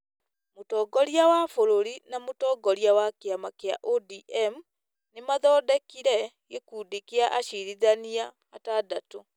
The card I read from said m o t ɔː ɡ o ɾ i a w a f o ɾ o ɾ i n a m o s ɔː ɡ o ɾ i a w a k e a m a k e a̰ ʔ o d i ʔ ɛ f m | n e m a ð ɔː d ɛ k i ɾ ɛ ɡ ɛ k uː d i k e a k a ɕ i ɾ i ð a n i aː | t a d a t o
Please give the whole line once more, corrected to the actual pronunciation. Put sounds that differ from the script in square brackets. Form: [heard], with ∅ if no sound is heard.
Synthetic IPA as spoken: m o t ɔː ɡ [ɔ] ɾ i a w a f o ɾ o ɾ i n a m o [t] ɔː ɡ [ɔ] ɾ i a w a k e a m a k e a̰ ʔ o d i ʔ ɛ [∅] m | n e m a ð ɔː d ɛ k i ɾ ɛ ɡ [e] k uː d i k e a [ʔ] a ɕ i ɾ i ð a n i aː | t a d a t o